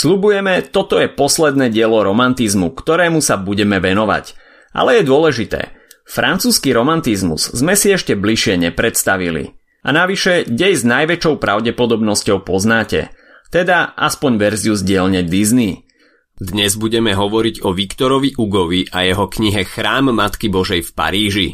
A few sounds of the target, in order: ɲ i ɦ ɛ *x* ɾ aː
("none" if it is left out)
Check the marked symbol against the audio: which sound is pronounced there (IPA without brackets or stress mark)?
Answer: x